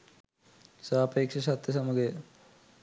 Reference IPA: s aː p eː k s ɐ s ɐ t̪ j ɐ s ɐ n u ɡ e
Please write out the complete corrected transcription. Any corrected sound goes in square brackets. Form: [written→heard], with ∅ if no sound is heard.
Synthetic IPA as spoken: s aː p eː k [s→ʂ] ɐ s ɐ t̪ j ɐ s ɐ [n→m] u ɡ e